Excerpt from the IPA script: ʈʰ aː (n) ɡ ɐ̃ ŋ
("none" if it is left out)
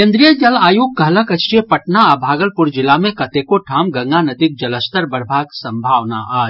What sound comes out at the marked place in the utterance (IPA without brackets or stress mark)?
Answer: m